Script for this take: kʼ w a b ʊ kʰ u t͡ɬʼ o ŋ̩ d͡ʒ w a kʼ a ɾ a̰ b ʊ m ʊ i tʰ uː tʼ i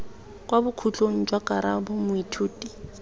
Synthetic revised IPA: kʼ w a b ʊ kʰ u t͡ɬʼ o ŋ̩ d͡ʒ w a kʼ a ɾ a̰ b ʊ m ʊ i tʰ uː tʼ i